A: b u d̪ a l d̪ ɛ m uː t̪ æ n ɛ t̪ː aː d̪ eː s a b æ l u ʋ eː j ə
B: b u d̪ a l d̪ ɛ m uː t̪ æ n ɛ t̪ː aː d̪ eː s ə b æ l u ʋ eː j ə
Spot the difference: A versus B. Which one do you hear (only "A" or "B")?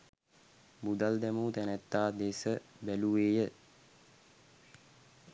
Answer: B